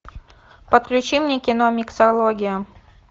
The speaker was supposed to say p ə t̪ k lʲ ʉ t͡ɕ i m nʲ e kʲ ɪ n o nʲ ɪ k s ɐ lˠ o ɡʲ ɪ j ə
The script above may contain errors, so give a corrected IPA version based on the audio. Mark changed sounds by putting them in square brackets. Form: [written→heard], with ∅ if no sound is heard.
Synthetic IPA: p ə t̪ k lʲ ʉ t͡ɕ i m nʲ e kʲ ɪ n o [nʲ→mʲ] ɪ k s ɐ lˠ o ɡʲ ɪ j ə